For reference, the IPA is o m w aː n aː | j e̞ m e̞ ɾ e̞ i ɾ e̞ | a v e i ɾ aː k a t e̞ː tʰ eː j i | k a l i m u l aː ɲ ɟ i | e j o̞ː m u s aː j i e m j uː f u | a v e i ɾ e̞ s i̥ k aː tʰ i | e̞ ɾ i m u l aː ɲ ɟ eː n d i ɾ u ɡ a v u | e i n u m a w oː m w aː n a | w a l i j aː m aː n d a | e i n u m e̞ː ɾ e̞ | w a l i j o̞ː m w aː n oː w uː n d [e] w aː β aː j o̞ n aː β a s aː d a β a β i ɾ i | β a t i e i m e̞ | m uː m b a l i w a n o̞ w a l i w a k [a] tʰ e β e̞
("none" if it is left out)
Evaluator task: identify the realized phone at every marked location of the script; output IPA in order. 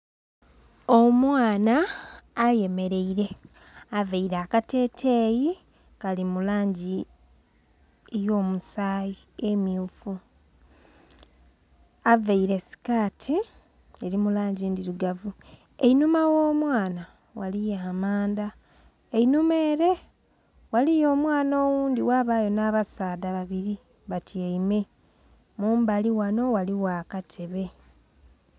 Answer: i, a

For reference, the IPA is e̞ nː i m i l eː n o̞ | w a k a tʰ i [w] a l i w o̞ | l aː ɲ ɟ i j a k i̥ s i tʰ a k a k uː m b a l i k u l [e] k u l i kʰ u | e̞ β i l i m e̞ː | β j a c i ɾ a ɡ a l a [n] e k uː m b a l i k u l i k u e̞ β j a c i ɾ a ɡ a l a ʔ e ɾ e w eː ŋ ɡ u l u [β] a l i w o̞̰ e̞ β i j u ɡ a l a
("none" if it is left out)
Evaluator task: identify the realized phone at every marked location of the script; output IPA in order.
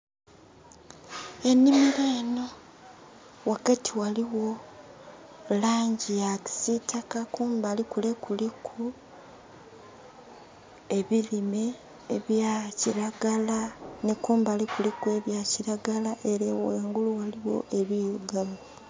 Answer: w, e, n, w

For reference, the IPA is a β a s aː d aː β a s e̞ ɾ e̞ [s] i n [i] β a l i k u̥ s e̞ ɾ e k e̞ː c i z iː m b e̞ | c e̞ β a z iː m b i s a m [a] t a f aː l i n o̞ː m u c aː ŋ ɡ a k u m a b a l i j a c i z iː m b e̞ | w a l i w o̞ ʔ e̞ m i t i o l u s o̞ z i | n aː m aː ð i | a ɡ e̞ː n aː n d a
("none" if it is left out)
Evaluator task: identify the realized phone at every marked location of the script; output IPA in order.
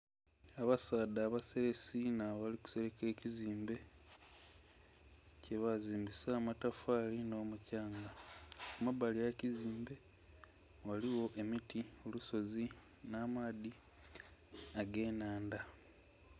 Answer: s, a, a

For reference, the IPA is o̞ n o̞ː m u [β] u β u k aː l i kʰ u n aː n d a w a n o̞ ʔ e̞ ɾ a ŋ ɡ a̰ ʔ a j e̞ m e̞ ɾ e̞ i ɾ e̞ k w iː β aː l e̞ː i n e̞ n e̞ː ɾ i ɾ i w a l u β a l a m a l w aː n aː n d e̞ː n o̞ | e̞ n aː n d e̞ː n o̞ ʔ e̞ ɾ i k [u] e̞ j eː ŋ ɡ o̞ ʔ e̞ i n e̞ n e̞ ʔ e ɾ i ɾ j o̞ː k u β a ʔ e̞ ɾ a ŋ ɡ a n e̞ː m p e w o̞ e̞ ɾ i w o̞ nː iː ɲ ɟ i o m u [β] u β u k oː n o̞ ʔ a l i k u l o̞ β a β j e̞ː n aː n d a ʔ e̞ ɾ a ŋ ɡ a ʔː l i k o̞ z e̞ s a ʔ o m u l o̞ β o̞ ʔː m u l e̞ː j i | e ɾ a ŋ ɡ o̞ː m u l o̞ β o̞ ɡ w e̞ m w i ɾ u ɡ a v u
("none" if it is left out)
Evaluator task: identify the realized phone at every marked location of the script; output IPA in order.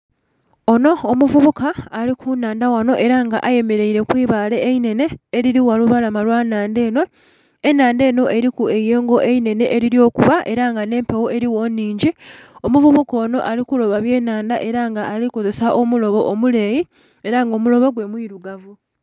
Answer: v, u, v

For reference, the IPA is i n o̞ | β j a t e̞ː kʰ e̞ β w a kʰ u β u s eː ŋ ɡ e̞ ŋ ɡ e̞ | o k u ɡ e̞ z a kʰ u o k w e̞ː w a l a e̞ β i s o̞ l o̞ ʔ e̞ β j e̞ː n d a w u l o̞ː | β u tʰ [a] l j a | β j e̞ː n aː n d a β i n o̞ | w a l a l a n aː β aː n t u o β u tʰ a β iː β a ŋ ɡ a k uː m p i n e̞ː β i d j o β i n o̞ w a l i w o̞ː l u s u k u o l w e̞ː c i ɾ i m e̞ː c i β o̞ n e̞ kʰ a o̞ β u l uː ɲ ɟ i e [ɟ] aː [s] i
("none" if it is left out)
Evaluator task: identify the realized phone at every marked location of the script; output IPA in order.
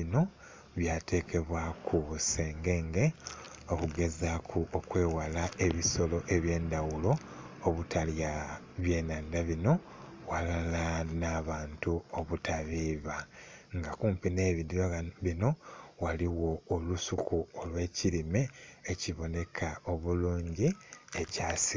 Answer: a, c, s

